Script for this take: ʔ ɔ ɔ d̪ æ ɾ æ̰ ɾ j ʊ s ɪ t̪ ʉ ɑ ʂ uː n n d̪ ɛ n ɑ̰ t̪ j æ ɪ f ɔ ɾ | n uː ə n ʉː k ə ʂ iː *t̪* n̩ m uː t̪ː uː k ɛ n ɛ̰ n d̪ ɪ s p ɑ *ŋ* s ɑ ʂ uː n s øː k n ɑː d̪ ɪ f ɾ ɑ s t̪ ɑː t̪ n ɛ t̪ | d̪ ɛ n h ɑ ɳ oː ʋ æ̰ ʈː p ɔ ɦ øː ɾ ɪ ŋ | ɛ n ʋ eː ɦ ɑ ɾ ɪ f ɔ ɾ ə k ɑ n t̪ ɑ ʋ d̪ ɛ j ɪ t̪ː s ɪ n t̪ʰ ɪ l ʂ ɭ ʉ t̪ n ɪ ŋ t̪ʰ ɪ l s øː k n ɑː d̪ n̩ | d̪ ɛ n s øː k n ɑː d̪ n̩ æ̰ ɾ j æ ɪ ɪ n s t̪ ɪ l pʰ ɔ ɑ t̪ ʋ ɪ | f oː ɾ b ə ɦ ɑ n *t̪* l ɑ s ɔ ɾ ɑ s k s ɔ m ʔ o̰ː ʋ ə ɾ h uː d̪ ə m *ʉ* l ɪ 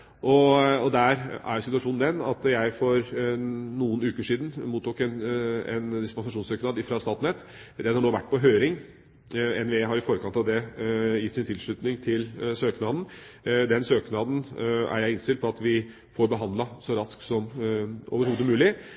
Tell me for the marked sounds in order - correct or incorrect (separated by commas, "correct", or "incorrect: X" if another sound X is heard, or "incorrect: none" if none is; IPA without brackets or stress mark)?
incorrect: d̪, incorrect: n, incorrect: d̪, incorrect: ʉː